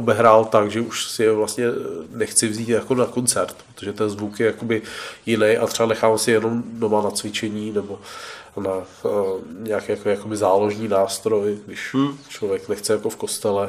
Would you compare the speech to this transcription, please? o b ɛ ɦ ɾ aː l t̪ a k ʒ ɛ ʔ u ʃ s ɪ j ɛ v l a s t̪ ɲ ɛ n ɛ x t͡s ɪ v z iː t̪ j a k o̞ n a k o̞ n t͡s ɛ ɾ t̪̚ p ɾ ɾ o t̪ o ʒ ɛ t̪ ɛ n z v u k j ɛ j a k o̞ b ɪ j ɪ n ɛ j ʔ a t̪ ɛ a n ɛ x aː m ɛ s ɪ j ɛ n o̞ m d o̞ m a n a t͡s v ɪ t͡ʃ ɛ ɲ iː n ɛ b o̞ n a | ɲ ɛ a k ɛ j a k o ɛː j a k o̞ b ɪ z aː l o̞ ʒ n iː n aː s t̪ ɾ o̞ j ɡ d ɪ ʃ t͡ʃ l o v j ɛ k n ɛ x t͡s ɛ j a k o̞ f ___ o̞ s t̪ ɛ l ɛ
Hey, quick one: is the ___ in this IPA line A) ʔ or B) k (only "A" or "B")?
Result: B